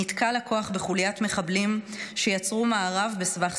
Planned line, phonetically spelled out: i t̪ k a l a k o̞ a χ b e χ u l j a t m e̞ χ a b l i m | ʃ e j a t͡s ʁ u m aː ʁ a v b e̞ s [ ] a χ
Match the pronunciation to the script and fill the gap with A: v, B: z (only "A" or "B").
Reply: A